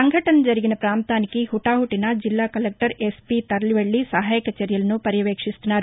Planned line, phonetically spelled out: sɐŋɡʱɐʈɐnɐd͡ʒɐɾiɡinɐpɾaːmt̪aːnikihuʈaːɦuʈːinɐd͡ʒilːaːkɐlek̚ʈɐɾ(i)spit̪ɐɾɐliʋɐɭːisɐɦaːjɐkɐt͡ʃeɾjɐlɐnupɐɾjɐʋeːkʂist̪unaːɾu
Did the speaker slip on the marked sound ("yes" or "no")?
yes